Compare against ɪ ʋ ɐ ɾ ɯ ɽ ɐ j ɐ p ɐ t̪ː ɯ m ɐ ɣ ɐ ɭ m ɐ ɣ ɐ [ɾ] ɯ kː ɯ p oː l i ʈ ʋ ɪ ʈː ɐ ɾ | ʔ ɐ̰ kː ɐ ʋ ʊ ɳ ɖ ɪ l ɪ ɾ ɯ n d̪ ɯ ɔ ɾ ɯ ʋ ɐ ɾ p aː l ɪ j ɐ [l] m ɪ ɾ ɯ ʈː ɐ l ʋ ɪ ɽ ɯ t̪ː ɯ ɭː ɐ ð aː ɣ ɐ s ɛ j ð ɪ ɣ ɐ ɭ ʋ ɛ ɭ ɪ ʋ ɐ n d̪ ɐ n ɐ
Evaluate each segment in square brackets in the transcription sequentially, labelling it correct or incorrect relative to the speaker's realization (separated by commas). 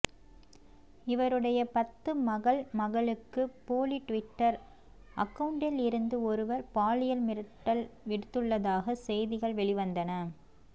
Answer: incorrect, correct